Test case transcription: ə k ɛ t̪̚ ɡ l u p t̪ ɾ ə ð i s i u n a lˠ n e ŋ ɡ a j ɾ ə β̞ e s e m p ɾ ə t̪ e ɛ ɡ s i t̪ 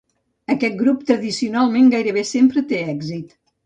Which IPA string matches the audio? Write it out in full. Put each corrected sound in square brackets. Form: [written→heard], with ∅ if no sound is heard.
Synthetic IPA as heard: ə k ɛ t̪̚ ɡ [l→ɾ] u p t̪ ɾ ə ð i s i u n a lˠ [n→m] e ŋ ɡ a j ɾ ə β̞ e s e m p ɾ ə t̪ e ɛ ɡ [s→z] i t̪